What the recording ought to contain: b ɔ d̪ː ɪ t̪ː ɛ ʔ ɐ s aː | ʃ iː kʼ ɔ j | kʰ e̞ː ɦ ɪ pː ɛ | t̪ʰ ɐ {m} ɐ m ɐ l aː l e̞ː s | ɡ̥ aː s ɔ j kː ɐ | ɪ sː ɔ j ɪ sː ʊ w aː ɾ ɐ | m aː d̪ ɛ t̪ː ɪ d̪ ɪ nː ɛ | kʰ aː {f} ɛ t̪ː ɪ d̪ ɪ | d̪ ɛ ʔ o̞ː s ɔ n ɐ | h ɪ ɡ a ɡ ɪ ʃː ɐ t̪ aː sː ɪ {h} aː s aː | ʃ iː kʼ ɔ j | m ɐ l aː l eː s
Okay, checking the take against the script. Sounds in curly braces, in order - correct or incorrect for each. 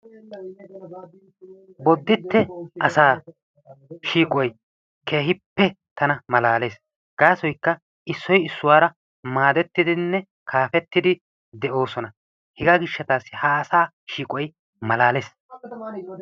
incorrect: n, correct, correct

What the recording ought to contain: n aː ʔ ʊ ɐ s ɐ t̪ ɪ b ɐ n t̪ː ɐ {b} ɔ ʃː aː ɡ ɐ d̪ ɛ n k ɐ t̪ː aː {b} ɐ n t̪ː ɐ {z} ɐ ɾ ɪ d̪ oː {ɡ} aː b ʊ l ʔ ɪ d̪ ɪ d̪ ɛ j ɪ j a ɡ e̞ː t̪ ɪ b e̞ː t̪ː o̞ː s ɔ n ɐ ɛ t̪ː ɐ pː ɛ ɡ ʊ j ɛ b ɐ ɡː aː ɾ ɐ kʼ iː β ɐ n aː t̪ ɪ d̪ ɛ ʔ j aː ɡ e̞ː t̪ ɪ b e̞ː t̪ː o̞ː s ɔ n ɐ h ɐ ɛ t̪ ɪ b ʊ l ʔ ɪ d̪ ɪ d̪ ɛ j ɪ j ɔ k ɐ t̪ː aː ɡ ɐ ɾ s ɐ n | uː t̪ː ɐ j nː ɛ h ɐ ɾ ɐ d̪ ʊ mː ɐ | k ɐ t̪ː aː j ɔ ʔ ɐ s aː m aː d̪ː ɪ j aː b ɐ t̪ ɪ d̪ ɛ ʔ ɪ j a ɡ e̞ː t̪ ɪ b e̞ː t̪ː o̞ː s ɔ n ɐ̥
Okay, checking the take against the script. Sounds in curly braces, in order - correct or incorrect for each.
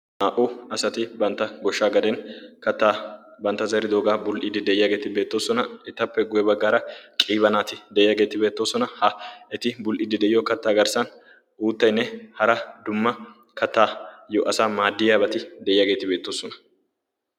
incorrect: ɡ, correct, correct, correct

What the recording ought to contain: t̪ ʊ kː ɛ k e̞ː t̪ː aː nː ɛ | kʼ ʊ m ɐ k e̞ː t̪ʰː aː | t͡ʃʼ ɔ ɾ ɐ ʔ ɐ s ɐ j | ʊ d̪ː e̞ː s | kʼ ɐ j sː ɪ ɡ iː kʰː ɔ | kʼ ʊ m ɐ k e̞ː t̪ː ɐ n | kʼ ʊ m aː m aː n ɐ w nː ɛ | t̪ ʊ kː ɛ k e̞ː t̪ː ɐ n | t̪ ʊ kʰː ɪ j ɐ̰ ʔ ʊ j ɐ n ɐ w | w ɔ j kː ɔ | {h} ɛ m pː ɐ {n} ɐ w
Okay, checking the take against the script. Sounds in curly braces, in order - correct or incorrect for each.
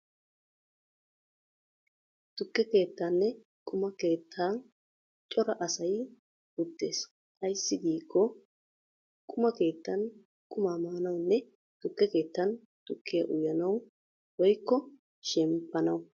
incorrect: ʃ, correct

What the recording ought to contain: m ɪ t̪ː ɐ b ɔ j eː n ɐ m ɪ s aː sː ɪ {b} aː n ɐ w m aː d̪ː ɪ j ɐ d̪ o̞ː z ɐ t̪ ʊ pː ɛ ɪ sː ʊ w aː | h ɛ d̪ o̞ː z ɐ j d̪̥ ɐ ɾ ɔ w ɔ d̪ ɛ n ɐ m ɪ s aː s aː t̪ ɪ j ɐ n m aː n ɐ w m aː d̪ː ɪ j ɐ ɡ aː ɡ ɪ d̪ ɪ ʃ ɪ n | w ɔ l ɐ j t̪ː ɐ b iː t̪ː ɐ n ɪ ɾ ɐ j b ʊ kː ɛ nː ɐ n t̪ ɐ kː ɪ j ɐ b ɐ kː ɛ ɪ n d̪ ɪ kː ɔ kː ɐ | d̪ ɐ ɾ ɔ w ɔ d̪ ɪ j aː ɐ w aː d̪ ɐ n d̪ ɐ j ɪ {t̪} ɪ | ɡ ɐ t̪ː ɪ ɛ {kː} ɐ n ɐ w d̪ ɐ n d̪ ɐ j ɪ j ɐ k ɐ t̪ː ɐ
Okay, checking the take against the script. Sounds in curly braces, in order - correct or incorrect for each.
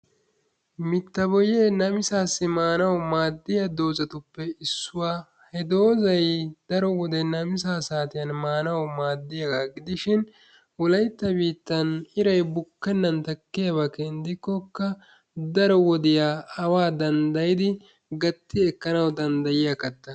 incorrect: m, incorrect: d̪, correct

